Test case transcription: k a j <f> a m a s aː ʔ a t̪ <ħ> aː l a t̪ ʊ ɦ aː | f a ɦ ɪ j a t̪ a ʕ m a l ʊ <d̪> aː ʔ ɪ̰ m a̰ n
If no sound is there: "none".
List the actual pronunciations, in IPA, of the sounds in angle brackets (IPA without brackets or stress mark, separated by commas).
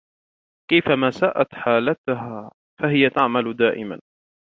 f, ħ, d̪